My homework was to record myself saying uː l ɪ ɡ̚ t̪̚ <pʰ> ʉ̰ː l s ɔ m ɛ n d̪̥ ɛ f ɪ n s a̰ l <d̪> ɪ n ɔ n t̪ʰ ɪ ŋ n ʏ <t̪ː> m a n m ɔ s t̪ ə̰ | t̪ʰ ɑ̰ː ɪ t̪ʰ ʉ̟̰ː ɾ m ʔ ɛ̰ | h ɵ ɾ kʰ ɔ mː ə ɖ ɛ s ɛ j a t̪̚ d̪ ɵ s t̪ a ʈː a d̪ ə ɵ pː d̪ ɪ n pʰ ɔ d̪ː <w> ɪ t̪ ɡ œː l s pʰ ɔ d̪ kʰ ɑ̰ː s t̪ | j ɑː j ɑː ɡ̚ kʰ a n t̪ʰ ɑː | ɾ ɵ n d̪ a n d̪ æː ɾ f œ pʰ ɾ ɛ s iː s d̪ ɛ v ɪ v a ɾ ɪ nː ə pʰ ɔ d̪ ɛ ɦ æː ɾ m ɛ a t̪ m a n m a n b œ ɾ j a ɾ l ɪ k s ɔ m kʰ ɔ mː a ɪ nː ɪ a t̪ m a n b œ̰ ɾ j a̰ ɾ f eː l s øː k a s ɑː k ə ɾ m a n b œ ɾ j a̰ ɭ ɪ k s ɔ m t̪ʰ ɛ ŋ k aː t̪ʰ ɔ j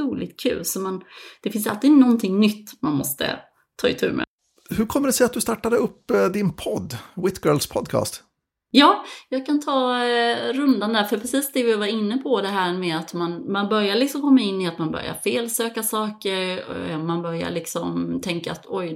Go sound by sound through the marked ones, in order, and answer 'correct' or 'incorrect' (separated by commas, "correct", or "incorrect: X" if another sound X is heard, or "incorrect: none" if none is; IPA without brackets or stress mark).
incorrect: kʰ, incorrect: t̪, correct, correct